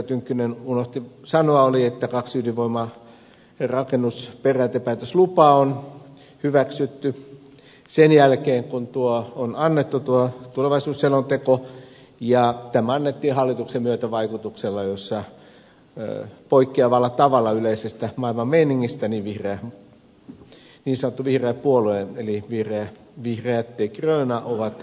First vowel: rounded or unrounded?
rounded